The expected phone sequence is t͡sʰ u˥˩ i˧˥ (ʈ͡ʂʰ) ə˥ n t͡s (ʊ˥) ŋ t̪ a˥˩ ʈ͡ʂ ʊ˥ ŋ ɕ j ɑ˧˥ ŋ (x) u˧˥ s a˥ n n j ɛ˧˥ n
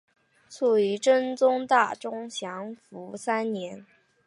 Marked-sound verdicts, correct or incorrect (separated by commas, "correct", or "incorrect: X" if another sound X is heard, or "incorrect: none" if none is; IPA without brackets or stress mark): incorrect: ʈ͡ʂ, correct, incorrect: f